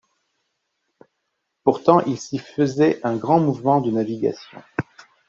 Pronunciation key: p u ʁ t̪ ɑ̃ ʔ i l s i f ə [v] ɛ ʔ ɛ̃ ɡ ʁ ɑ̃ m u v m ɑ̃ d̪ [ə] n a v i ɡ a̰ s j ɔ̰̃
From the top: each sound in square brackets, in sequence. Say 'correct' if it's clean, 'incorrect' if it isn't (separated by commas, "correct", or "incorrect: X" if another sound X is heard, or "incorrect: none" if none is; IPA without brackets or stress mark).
incorrect: z, correct